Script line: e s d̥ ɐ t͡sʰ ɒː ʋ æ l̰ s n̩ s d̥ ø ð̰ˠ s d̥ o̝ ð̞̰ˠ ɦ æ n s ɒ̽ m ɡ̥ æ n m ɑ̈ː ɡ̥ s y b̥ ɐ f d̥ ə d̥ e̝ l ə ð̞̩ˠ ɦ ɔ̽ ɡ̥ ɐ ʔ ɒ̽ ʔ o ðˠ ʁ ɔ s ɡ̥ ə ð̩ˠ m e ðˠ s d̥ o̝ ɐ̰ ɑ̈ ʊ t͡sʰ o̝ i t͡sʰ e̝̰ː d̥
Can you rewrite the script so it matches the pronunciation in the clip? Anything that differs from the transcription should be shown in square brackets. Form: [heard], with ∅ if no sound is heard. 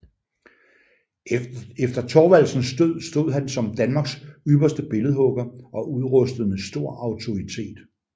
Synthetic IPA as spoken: e [f] d̥ ɐ t͡sʰ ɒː ʋ æ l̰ s n̩ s d̥ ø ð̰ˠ s d̥ o̝ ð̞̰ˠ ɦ æ n s ɒ̽ m [d̥] æ n m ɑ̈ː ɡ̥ s y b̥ ɐ [s] d̥ ə [b̥] e̝ l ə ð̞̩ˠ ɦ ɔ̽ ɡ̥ ɐ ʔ ɒ̽ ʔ [u] ðˠ ʁ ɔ s [d̥] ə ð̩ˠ m e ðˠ s d̥ o̝ ɐ̰ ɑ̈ ʊ t͡sʰ o̝ i t͡sʰ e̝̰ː d̥